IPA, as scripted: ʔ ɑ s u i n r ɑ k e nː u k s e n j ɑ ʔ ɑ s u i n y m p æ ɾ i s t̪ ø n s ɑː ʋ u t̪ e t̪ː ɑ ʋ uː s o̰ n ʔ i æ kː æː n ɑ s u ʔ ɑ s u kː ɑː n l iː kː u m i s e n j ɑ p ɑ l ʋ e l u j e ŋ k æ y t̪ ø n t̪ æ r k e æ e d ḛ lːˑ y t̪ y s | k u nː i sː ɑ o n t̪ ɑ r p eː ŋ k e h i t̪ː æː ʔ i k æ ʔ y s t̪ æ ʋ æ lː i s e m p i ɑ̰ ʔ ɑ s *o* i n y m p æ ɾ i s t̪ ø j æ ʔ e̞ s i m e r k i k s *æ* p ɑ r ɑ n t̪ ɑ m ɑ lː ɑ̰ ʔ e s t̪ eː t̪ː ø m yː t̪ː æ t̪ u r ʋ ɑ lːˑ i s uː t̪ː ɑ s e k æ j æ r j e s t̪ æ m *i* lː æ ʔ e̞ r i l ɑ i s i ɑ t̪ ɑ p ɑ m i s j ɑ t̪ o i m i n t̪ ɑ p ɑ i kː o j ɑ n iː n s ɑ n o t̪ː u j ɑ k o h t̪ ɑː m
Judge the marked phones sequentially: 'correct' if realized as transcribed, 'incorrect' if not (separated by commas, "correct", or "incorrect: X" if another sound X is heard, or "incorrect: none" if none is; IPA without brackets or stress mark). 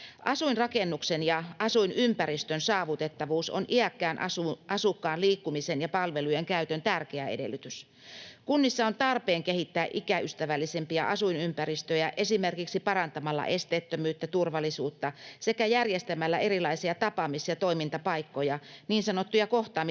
incorrect: u, incorrect: i, incorrect: æ